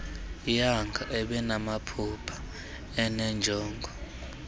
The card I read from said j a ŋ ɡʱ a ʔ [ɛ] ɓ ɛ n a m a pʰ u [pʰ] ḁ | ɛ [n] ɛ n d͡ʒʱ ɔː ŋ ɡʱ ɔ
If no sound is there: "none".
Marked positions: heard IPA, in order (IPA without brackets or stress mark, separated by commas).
ɛ, pʰ, n